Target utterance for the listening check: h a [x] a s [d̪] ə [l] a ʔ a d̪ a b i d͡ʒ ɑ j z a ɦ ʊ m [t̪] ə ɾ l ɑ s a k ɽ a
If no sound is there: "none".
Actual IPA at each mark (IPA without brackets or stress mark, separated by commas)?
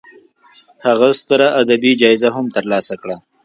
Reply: ɣ, t̪, ɾ, t̪